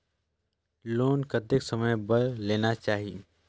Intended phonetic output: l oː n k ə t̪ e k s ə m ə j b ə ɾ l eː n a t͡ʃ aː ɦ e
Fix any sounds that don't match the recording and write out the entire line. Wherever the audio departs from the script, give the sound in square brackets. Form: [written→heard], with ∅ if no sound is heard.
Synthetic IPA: l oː n k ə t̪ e k s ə m ə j b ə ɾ l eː n a t͡ʃ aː ɦ [e→i]